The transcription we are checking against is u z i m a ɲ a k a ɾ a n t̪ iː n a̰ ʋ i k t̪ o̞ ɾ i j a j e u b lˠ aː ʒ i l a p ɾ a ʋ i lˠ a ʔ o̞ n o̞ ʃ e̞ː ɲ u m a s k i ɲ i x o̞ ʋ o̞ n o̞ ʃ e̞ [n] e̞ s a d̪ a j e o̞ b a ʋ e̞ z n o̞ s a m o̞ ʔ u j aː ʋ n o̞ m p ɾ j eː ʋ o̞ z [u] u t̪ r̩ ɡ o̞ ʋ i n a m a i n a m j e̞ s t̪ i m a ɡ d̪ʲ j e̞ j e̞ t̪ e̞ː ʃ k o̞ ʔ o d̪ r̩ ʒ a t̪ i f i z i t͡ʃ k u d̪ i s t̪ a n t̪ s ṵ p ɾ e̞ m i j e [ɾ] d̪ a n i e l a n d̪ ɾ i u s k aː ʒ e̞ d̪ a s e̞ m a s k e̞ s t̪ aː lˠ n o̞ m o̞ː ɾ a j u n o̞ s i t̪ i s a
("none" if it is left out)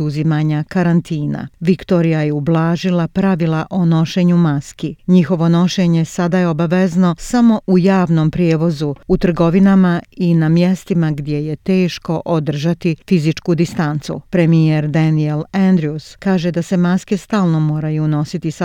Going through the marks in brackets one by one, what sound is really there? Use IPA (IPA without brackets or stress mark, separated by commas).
ɲ, u, ɾ